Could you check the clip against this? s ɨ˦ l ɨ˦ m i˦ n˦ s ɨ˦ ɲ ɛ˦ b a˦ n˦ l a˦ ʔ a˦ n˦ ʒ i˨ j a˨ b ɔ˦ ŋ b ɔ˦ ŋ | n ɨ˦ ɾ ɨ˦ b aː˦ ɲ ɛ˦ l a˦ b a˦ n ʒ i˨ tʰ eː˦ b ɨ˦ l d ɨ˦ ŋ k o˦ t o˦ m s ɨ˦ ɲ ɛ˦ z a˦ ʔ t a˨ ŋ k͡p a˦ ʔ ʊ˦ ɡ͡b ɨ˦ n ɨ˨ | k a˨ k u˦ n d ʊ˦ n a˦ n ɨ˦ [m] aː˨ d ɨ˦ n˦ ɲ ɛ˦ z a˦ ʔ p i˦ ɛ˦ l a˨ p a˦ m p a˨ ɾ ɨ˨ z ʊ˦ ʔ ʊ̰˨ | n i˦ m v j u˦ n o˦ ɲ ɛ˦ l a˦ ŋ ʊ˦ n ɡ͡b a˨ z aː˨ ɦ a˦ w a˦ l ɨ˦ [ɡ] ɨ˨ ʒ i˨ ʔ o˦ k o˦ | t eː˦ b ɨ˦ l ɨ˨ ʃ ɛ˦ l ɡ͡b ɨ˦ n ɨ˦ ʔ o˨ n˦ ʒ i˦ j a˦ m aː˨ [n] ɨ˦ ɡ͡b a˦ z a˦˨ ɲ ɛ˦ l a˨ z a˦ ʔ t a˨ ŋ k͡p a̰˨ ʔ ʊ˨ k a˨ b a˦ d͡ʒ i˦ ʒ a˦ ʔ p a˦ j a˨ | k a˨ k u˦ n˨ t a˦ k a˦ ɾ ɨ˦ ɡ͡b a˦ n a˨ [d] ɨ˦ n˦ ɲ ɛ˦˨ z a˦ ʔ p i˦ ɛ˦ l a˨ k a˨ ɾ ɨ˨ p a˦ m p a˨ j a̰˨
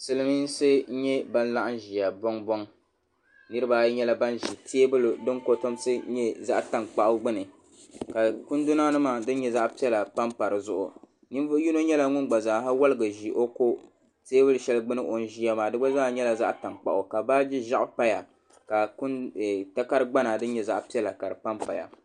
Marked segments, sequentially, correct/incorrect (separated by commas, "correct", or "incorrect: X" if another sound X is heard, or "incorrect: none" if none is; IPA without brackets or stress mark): correct, correct, incorrect: d, correct